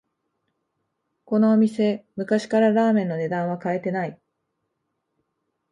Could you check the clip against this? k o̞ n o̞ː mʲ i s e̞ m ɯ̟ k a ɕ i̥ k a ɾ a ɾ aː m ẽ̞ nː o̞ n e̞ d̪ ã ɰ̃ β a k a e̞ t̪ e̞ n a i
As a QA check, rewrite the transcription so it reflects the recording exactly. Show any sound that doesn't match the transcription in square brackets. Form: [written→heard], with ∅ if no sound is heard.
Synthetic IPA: k o̞ n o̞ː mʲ i s e̞ m ɯ̟ k a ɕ i̥ k a ɾ a ɾ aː m ẽ̞ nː o̞ n e̞ d̪ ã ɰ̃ β a k a e̞ t̪ e̞ n a i